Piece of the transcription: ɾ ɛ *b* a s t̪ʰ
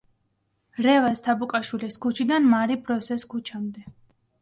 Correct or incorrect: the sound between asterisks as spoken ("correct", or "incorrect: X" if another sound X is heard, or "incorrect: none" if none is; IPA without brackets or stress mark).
incorrect: v